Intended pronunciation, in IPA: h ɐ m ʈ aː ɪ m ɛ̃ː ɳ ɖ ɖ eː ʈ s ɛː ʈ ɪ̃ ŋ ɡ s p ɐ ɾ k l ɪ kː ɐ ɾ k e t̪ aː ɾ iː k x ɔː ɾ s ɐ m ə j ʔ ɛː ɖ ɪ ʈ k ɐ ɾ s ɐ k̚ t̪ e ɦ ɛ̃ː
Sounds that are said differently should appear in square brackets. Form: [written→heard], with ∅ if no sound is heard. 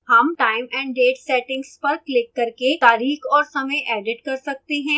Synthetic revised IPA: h ɐ m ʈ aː ɪ m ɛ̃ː ɳ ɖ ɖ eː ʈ s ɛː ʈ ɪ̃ ŋ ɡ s p ɐ ɾ k l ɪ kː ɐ ɾ k e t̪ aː ɾ iː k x ɔː ɾ s ɐ m ə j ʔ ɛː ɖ ɪ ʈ k ɐ ɾ s ɐ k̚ t̪ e ɦ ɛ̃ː